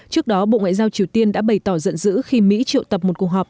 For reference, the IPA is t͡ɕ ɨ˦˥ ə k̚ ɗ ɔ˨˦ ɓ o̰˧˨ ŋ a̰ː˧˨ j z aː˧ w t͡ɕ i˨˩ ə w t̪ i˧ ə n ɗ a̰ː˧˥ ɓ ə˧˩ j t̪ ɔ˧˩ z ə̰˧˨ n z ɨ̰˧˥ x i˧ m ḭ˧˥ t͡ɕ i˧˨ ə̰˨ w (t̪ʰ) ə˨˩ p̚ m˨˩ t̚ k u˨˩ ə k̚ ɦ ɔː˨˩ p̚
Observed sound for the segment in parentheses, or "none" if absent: t̪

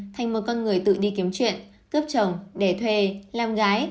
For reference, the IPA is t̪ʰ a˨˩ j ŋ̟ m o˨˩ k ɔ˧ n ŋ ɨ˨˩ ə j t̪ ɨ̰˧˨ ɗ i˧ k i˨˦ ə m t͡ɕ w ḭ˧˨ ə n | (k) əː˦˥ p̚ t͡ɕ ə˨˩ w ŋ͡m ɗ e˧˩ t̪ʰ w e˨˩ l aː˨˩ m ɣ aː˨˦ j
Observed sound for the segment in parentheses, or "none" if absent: k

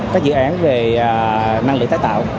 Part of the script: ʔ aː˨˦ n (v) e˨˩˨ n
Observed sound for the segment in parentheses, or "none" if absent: v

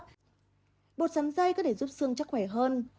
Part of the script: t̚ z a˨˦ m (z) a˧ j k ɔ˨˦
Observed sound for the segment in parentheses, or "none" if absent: z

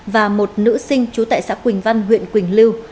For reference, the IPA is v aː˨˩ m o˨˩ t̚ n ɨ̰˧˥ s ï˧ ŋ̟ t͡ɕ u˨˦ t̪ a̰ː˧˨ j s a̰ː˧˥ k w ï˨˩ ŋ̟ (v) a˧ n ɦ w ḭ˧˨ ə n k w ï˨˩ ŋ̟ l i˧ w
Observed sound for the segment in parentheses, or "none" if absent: v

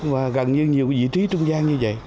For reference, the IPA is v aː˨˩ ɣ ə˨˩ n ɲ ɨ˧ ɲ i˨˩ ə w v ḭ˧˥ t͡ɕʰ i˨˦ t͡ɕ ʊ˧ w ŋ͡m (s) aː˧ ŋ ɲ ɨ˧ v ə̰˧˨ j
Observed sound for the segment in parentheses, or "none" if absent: z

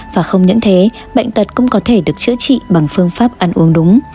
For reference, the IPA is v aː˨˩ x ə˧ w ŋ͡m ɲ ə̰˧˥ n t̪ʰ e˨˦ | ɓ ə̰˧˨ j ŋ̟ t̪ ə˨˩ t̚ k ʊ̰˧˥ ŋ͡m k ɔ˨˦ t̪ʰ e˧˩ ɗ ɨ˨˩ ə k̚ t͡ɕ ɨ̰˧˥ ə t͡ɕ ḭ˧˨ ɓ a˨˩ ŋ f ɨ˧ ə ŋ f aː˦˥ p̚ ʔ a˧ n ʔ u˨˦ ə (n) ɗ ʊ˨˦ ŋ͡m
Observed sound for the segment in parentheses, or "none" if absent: ŋ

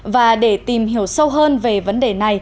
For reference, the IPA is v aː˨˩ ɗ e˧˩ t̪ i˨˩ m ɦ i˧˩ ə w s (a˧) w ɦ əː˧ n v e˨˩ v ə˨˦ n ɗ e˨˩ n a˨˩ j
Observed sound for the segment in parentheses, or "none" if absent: ə˧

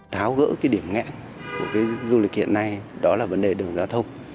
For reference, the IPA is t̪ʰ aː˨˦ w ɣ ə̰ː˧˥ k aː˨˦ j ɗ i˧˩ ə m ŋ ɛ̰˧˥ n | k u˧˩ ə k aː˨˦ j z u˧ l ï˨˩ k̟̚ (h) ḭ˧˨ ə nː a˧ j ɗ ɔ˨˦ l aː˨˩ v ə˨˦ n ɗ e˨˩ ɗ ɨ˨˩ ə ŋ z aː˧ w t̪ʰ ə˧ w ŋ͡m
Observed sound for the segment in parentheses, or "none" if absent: h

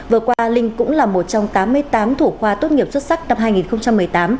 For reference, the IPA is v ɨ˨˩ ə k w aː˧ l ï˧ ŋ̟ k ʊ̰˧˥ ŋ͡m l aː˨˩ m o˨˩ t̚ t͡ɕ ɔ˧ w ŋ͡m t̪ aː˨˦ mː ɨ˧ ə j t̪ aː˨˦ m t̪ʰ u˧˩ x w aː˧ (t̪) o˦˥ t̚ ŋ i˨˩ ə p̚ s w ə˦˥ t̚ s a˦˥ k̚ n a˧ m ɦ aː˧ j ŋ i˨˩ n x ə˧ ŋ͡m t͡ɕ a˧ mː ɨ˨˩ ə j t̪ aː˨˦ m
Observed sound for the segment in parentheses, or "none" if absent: t̪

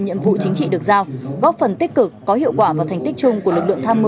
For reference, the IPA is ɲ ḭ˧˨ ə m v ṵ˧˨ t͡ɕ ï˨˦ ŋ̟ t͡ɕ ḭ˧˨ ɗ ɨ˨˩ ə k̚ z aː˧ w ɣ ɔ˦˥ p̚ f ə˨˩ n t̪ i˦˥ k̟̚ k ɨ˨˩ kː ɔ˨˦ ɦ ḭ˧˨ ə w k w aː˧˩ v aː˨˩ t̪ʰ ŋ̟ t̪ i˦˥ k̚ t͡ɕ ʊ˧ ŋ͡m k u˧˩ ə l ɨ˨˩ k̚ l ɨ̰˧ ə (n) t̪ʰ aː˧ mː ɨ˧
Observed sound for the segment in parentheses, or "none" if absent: ŋ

